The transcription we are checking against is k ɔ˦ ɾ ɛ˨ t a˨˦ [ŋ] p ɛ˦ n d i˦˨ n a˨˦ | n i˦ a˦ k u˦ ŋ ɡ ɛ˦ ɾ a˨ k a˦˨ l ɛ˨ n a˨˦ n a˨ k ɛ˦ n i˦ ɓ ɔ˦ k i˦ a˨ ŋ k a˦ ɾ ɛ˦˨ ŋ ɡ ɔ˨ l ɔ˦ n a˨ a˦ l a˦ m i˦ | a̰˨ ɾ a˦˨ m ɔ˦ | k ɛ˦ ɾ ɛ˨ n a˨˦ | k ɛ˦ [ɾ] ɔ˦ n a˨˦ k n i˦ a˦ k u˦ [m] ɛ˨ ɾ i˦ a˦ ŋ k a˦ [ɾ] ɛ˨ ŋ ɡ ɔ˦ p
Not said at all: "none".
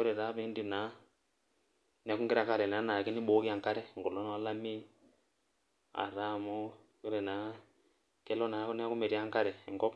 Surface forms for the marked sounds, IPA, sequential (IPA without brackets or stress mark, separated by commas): none, l, m, ɾ